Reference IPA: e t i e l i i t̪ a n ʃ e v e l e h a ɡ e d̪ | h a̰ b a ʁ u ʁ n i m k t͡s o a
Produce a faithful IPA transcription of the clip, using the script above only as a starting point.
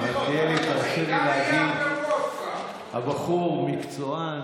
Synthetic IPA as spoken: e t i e l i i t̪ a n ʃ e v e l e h a ɡ i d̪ | h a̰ b a χ u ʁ m i k t͡s o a